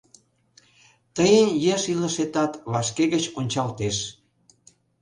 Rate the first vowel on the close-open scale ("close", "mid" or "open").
mid